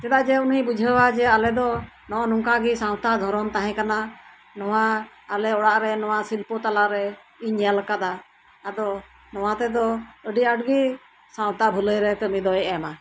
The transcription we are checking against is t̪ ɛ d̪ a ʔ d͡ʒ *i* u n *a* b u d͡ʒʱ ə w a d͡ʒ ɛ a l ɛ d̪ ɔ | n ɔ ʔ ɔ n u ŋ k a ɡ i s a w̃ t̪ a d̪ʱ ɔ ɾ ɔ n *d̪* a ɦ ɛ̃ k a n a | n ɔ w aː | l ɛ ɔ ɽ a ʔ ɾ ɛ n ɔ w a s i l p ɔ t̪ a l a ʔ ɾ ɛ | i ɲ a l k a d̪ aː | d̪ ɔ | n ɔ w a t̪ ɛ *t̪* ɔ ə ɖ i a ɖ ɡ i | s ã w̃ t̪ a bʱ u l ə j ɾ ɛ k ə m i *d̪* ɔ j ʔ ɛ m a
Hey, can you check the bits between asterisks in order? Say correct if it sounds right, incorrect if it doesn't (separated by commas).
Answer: incorrect, incorrect, incorrect, incorrect, correct